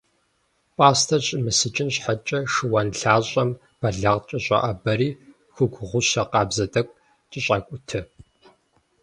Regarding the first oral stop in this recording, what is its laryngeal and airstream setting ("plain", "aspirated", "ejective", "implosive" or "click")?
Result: ejective